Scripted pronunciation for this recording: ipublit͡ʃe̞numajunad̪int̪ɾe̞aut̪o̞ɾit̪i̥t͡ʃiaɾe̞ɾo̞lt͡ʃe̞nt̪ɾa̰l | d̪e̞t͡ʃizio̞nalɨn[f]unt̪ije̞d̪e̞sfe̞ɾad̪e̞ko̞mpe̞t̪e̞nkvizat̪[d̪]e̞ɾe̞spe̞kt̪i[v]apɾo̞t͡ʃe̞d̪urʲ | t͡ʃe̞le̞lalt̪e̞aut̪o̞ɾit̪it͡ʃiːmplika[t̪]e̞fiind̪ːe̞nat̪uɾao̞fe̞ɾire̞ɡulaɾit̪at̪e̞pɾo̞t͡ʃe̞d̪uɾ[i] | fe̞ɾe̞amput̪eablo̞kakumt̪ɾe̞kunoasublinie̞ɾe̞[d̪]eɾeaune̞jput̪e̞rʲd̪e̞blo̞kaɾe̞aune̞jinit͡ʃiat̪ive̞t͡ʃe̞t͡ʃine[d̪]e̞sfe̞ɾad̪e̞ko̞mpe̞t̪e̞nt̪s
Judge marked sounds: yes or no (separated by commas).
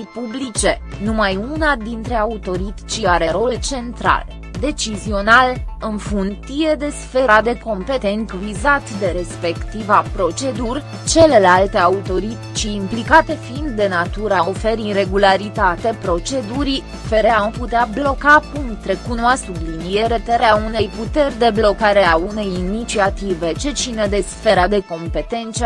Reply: yes, yes, yes, yes, yes, no, yes